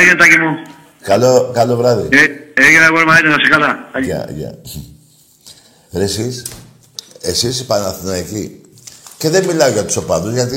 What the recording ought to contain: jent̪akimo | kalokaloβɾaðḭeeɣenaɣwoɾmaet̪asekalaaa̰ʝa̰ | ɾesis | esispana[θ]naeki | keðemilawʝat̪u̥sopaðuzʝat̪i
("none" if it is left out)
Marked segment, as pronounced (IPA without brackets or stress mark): θ